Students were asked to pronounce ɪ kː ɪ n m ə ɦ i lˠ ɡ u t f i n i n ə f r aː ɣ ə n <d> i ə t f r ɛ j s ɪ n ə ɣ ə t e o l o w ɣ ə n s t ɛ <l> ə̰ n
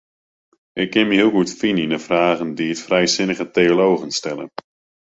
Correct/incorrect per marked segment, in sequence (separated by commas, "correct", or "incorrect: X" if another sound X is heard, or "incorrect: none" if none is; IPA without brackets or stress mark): correct, correct